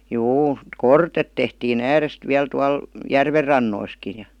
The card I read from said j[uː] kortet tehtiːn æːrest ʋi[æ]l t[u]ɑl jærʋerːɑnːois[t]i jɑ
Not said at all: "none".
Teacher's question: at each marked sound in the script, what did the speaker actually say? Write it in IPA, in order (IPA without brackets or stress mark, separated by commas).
uː, æ, u, k